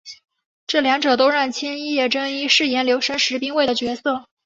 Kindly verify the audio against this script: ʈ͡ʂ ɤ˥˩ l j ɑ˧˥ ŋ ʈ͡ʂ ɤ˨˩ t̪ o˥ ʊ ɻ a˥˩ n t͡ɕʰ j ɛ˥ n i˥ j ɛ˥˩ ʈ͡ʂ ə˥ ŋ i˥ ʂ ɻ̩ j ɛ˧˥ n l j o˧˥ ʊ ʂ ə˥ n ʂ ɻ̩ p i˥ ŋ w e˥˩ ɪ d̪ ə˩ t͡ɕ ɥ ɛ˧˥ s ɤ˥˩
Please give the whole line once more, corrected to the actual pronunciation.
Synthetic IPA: ʈ͡ʂ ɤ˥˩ l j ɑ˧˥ ŋ ʈ͡ʂ ɤ˨˩ t̪ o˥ ʊ ɻ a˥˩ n t͡ɕʰ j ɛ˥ n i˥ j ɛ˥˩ ʈ͡ʂ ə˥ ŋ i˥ ʂ ɻ̩ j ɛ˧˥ n l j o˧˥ ʊ ʂ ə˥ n ʂ ɻ̩ p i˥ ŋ w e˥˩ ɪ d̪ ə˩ t͡ɕ ɥ ɛ˧˥ s ɤ˥˩